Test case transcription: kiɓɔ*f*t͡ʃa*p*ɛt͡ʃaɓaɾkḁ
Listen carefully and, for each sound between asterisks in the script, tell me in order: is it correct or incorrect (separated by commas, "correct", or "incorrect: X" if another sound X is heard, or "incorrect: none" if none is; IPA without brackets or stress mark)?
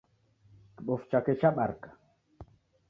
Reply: correct, incorrect: k